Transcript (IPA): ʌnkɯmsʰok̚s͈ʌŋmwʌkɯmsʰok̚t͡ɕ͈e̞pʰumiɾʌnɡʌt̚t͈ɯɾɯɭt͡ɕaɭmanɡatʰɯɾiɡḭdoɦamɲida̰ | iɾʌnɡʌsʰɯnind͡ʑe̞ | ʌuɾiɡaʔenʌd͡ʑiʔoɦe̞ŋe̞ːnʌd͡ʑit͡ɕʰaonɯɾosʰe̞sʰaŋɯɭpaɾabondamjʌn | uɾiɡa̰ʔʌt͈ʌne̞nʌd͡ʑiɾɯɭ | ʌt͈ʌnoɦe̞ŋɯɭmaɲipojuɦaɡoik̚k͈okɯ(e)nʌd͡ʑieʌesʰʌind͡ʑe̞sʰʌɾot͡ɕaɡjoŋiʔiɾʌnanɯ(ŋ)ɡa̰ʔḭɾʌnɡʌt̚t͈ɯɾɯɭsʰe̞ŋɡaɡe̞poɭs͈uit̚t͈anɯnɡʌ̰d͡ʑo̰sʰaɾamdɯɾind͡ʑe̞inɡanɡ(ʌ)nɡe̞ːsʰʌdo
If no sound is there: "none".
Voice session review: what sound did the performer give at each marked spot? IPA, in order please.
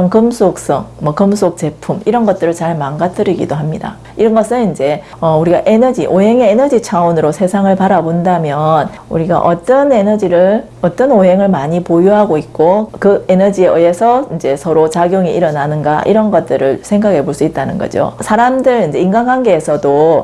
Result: e, n, a

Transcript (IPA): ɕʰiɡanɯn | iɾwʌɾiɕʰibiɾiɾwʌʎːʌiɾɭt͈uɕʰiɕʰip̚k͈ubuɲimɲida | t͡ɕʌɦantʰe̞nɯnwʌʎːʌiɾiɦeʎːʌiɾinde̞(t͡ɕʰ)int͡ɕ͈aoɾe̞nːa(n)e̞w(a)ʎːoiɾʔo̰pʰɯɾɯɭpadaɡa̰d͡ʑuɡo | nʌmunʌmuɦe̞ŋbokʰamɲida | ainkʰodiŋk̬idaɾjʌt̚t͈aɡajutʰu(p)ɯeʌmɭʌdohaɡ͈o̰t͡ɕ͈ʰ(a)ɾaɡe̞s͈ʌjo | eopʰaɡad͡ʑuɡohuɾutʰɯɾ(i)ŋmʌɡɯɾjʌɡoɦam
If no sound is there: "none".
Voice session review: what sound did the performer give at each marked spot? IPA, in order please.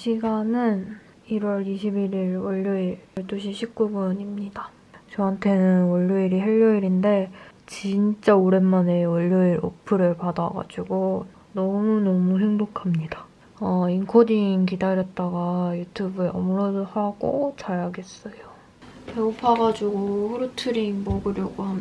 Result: t͡ɕ, n, ʌ, b, a, i

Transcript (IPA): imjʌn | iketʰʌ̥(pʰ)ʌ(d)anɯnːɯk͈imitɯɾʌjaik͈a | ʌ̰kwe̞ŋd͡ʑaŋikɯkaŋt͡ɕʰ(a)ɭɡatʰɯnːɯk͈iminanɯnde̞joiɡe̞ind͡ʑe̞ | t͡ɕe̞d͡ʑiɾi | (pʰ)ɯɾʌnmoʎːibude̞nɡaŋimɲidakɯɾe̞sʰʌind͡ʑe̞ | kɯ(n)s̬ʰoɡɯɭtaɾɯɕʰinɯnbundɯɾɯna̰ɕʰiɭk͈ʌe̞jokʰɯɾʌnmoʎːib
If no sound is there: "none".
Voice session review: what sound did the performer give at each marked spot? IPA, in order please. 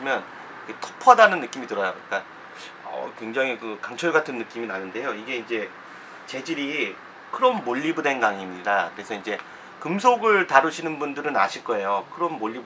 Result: pʰ, d, ʌ, kʰ, m

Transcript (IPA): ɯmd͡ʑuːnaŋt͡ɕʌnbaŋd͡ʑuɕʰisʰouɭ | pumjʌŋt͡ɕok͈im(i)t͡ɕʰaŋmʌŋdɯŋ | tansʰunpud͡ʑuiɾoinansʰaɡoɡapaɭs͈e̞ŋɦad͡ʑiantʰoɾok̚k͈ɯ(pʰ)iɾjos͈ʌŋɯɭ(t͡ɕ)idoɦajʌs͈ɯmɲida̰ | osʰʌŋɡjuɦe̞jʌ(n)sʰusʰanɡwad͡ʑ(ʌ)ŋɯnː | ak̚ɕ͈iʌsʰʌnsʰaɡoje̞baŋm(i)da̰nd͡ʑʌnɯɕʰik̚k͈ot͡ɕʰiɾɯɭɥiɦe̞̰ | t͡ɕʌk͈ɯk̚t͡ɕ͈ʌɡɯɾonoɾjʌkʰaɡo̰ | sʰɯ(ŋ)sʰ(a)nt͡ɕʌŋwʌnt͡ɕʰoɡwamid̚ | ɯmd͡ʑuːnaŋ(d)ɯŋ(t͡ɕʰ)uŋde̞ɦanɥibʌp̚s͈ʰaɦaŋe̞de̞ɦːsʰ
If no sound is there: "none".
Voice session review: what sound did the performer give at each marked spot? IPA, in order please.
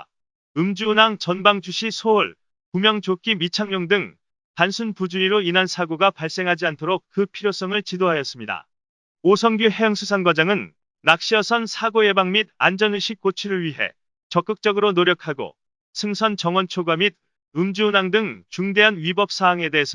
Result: i, pʰ, t͡ɕ, ŋ, a, i, ŋ, ʌ, d, t͡ɕ

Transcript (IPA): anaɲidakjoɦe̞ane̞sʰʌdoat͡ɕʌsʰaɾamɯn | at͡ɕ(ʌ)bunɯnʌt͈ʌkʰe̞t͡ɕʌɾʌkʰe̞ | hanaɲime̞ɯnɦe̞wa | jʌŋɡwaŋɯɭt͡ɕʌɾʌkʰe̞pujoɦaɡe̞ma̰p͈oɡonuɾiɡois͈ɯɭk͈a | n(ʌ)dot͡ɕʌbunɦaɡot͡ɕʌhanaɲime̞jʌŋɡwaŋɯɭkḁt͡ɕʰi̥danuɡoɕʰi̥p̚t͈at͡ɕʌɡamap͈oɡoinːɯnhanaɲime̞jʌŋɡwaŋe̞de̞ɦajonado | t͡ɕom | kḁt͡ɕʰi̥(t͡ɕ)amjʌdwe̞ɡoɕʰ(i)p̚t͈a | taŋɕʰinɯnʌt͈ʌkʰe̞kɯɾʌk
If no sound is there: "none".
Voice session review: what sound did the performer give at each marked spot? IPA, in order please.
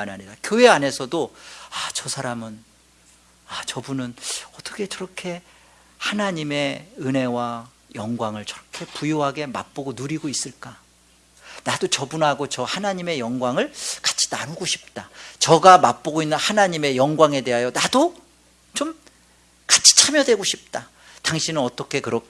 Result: ʌ, a, t͡ɕʰ, i

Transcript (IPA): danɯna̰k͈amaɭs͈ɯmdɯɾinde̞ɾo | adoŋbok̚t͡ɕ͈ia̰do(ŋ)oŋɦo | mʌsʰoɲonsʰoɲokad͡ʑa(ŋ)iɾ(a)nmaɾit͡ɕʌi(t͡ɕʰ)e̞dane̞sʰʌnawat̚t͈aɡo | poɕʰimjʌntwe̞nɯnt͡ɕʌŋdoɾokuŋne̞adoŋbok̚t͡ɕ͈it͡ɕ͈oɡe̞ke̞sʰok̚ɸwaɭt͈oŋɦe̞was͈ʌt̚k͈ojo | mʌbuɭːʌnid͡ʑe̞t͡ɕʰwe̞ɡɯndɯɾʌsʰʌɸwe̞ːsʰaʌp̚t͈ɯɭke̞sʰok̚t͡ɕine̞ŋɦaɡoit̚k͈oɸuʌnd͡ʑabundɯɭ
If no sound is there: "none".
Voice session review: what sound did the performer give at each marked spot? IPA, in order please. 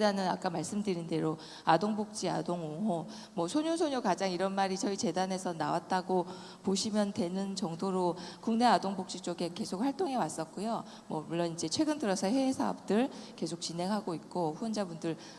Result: ŋ, ŋ, ʌ, t͡ɕ

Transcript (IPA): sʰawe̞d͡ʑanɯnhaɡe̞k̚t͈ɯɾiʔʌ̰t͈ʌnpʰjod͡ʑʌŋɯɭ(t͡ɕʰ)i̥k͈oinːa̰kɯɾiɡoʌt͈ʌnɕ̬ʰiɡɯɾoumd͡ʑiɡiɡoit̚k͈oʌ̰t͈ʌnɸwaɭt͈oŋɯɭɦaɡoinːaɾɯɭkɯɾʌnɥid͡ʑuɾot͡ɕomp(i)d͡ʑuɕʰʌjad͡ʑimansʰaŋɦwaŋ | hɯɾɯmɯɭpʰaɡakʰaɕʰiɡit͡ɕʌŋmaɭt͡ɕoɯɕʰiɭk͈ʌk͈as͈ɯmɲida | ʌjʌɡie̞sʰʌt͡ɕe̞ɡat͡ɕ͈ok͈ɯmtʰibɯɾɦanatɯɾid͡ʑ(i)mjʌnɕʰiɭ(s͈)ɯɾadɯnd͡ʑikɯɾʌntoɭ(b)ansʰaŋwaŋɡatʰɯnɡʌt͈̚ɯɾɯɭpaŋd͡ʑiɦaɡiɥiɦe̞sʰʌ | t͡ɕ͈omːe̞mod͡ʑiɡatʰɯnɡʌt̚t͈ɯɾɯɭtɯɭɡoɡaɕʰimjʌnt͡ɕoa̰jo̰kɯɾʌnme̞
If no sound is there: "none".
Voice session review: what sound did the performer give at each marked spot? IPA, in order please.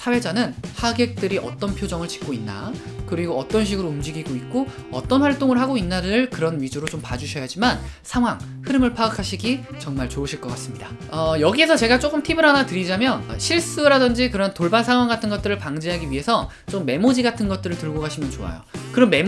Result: t͡ɕ, a, a, s͈, b

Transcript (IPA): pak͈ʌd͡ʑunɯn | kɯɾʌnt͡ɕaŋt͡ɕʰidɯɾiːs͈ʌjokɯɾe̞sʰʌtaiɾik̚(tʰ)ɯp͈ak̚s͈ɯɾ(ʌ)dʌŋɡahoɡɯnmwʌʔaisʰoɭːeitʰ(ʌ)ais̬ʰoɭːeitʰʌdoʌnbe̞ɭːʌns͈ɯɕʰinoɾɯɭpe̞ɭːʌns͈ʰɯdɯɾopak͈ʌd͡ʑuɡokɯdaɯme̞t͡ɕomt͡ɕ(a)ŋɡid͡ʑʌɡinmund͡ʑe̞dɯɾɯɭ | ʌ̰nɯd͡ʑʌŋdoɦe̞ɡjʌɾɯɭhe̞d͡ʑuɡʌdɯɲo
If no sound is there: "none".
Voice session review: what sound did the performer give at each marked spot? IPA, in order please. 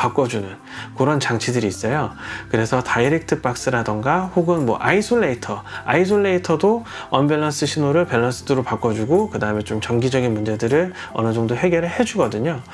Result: tʰ, a, ʌ, ʌ

